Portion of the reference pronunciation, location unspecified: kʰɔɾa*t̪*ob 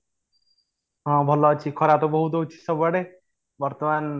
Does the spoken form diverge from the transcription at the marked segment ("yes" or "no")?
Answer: no